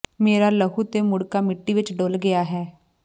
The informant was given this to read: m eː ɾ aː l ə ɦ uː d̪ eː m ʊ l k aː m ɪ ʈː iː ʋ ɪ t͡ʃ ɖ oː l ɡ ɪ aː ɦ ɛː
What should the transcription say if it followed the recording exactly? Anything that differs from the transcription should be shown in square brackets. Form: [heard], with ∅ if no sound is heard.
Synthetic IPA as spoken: m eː ɾ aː l ə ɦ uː [t̪] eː m ʊ [ɽ] k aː m ɪ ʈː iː ʋ ɪ t͡ʃ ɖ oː l ɡ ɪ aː ɦ ɛː